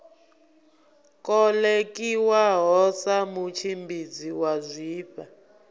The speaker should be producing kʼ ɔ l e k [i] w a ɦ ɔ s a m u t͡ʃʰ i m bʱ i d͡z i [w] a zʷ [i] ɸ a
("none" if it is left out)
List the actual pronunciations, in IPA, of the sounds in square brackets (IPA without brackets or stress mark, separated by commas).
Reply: i, w, iː